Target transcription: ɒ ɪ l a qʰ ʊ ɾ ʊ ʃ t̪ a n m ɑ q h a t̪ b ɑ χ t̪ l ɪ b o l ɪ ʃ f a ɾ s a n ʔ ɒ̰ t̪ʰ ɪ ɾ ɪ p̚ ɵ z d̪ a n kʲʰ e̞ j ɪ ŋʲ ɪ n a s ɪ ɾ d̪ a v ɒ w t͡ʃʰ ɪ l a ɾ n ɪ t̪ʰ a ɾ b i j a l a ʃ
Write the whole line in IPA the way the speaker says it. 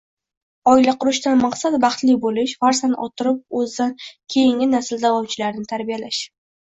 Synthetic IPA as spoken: ɒ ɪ l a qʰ ʊ ɾ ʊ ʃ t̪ a n m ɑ q s a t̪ b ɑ χ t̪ l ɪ b o l ɪ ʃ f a ɾ s a n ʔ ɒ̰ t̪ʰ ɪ ɾ ɪ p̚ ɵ z d̪ a n kʲʰ e̞ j ɪ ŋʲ ɪ n a s ɪ l d̪ a v ɒ w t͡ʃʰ ɪ l a ɾ n ɪ t̪ʰ a ɾ b i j a l a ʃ